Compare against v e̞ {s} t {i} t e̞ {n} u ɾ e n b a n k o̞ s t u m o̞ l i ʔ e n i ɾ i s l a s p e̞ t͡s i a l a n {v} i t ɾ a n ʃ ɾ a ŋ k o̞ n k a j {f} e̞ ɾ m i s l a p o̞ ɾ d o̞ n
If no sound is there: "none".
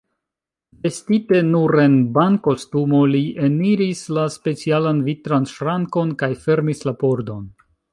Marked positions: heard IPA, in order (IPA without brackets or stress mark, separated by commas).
s, i, n, v, f